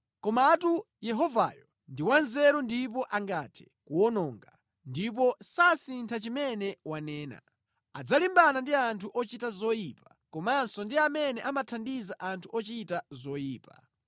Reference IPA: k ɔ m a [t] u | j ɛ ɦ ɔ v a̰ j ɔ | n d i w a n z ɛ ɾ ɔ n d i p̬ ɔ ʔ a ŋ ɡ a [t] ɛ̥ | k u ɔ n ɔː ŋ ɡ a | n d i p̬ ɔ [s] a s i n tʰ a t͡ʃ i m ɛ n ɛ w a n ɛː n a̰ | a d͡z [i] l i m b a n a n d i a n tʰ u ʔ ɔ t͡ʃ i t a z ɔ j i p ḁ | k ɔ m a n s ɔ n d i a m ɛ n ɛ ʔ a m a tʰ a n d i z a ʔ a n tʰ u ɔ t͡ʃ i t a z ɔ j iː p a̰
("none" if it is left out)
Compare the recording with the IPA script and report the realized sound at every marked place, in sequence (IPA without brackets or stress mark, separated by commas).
t, tʰ, s, a